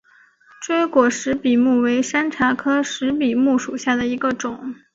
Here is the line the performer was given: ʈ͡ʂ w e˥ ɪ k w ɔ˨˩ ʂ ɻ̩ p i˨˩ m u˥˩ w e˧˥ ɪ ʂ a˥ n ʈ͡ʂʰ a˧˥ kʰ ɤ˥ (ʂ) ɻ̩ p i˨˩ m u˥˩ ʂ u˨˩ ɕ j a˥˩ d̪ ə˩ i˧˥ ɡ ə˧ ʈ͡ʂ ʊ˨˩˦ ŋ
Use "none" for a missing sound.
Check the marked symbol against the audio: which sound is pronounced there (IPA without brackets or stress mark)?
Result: ʂ